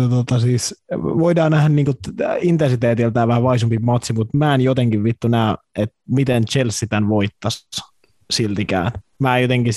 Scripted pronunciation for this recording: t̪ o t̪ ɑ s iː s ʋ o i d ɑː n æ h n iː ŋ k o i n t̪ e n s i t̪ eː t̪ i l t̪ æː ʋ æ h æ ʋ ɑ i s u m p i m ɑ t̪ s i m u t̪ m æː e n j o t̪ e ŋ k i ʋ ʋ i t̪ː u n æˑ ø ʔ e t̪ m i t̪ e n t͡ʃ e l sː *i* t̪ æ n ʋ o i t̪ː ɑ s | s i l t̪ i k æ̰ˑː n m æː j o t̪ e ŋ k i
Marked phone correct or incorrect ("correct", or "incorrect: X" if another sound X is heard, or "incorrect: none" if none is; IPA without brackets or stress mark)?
correct